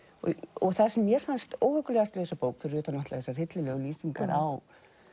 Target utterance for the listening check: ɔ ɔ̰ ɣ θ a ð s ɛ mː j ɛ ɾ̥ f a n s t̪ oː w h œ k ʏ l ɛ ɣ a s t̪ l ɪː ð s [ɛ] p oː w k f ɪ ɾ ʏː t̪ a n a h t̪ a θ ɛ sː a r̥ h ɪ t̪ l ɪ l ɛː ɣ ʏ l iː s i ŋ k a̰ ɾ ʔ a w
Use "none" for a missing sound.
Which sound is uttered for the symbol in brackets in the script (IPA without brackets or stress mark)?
a